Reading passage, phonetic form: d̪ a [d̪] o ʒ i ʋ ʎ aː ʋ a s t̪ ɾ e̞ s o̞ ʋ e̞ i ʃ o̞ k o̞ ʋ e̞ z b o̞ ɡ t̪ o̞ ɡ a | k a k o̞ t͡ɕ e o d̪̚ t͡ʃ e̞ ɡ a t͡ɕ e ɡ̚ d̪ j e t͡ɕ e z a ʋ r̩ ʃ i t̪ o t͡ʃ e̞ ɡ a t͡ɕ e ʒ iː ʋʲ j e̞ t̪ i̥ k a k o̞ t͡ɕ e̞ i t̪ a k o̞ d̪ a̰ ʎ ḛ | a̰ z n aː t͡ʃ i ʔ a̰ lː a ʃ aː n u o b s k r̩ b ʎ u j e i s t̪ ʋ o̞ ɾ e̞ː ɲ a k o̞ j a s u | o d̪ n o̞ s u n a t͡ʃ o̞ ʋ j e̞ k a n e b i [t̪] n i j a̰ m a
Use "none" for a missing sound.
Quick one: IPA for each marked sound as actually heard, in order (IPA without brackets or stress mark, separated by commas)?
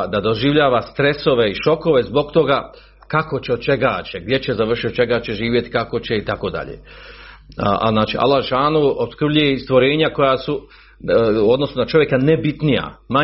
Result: d̪, t̪